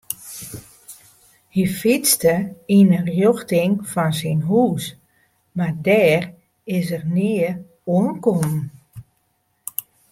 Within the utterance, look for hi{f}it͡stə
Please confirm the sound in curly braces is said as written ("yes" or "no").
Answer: yes